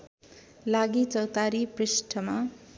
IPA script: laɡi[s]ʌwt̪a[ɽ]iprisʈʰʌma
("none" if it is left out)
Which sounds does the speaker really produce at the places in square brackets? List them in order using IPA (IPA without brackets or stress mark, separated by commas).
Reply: t͡s, ɾ